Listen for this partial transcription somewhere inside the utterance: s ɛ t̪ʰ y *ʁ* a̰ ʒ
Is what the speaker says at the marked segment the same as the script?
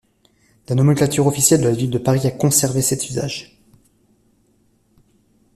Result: no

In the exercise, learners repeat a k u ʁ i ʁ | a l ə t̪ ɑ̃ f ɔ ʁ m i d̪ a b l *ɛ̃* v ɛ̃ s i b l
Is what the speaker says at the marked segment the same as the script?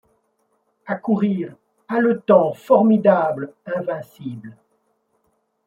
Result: yes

